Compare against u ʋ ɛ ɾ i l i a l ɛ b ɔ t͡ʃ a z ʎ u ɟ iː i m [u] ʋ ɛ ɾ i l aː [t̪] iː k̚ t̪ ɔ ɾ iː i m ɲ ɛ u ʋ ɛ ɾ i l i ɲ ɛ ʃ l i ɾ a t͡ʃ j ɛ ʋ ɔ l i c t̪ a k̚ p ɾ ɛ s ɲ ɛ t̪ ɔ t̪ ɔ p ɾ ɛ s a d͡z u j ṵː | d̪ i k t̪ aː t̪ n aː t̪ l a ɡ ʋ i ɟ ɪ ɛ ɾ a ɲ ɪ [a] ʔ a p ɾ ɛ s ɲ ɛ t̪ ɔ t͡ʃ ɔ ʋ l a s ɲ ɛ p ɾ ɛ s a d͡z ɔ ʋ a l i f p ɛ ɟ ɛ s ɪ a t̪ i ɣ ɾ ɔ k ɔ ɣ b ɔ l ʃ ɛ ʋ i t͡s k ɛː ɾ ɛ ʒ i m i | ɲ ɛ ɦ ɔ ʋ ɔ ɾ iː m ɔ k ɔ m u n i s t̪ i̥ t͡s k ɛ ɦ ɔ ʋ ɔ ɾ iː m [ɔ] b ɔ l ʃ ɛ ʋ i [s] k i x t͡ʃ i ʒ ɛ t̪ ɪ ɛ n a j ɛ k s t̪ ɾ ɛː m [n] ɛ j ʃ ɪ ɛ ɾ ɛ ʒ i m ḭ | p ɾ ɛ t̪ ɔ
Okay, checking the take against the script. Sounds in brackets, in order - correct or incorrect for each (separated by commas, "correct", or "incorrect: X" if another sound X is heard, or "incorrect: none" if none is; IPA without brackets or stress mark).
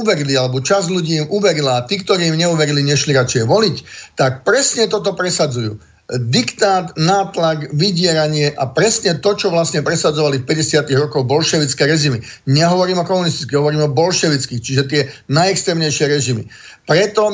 correct, correct, incorrect: ɛ, correct, incorrect: t͡s, incorrect: ɲ